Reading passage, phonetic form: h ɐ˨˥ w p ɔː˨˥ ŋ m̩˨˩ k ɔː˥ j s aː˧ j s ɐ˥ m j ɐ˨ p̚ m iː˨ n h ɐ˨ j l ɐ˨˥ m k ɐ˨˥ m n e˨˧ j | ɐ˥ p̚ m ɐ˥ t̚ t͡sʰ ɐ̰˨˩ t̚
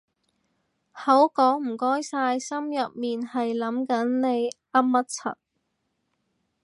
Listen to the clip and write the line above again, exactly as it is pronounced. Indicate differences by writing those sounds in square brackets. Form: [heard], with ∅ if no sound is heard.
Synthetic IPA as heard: h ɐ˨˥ w [k] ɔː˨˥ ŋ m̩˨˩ k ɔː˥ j s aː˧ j s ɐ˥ m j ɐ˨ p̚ m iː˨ n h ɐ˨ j l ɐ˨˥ m k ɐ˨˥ [n] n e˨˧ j | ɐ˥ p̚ m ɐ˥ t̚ t͡sʰ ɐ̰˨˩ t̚

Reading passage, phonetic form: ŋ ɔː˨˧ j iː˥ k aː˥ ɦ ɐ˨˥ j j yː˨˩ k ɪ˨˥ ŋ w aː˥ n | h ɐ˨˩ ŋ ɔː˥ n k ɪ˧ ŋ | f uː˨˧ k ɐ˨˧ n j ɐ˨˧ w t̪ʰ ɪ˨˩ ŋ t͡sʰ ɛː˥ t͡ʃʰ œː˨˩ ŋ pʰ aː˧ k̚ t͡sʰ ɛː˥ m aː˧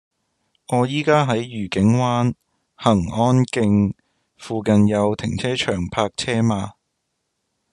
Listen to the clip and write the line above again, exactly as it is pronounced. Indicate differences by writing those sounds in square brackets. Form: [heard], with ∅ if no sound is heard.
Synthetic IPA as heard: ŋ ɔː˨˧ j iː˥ k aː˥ ɦ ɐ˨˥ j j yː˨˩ k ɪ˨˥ ŋ w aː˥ n | h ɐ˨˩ ŋ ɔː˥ n k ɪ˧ ŋ | f uː˨˧ k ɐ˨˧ n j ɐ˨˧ w t̪ʰ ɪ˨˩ ŋ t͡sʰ ɛː˥ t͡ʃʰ œː˨˩ ŋ pʰ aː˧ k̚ t͡sʰ ɛː˥ m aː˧

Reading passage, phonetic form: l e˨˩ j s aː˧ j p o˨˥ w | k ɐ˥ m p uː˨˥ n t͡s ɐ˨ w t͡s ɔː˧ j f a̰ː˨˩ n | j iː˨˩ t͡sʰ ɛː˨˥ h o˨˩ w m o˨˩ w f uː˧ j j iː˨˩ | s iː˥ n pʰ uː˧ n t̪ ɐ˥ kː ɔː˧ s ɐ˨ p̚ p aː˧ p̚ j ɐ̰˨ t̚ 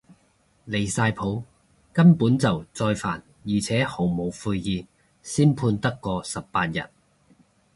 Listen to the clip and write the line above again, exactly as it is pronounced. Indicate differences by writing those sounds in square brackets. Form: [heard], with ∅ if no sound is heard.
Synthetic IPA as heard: l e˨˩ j s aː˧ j [pʰ] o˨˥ w | k ɐ˥ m p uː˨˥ n t͡s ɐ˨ w t͡s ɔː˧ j f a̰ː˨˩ n | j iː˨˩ t͡sʰ ɛː˨˥ h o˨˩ w m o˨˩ w f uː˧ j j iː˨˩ | s iː˥ n pʰ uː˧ n t̪ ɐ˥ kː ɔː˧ s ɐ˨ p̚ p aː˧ [t̚] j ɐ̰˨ t̚

